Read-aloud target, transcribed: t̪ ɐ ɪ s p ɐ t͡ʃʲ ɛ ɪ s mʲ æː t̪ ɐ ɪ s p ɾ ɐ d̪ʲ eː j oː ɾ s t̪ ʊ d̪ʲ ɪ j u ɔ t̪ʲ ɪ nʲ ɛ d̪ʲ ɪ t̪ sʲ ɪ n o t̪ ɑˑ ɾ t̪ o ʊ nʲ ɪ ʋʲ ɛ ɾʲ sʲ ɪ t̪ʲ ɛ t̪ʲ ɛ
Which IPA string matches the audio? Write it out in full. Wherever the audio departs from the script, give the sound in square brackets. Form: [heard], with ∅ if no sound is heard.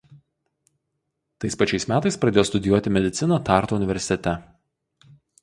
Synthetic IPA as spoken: t̪ ɐ ɪ s p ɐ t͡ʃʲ ɛ ɪ s mʲ æː t̪ ɐ ɪ s p ɾ ɐ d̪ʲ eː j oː [∅] s t̪ ʊ d̪ʲ ɪ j u ɔ t̪ʲ ɪ [mʲ] ɛ d̪ʲ ɪ t̪ sʲ ɪ n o t̪ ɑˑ ɾ t̪ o ʊ nʲ ɪ ʋʲ ɛ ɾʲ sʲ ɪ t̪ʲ ɛ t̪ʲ ɛ